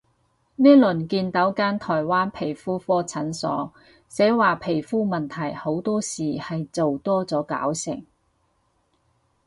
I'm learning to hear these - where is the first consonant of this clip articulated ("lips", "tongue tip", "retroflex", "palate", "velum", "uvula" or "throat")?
tongue tip